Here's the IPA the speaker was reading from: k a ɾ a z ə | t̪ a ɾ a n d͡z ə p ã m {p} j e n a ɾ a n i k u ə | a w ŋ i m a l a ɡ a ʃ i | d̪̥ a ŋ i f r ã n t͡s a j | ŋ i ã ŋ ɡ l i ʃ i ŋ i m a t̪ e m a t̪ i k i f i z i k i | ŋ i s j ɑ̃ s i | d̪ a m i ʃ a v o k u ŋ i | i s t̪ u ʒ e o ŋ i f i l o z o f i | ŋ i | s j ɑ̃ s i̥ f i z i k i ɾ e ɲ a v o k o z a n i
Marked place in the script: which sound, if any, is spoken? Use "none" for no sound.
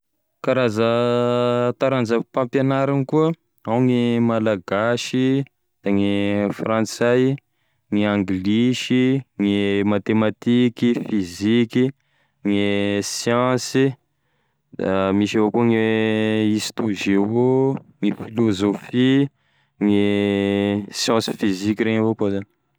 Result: p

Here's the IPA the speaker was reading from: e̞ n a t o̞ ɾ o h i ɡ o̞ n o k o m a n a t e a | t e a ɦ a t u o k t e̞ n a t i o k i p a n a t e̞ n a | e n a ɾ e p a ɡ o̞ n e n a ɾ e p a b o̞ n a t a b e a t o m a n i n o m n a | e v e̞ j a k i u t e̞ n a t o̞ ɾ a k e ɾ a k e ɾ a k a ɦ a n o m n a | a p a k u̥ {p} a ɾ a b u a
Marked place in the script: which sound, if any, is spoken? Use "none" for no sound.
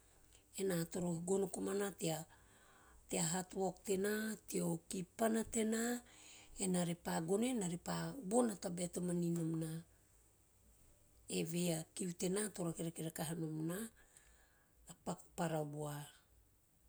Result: p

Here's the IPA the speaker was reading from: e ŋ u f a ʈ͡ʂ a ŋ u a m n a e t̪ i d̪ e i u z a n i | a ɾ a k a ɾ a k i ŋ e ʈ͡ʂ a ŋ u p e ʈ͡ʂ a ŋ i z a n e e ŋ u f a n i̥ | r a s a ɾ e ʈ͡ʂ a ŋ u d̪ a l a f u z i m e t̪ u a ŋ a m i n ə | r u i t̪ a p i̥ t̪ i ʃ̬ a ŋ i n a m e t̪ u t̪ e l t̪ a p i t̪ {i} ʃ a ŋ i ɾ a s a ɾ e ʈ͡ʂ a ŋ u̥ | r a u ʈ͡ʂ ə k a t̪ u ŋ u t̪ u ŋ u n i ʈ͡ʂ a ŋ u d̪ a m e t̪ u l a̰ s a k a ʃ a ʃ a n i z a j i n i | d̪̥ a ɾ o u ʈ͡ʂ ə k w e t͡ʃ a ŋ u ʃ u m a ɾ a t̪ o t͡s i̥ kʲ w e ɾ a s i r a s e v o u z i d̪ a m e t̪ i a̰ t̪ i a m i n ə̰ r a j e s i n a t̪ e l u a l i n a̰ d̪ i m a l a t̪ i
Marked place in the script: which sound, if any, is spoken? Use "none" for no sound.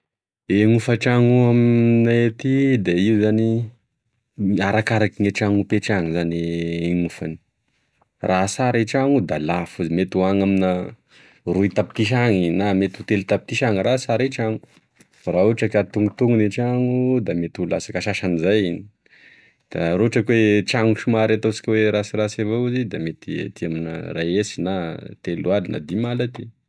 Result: i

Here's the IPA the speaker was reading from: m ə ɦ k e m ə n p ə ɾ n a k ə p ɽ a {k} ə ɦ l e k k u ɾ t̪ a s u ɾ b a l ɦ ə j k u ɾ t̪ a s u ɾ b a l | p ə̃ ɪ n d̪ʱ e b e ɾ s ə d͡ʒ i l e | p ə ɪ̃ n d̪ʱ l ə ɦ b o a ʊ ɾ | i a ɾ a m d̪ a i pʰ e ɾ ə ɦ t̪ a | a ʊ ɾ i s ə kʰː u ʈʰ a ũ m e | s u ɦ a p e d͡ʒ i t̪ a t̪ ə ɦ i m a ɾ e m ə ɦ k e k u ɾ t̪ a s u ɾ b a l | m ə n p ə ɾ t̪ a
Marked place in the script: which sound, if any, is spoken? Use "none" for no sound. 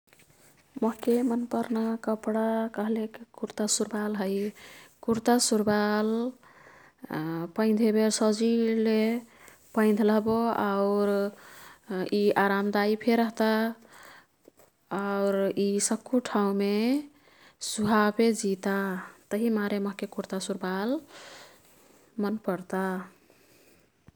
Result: k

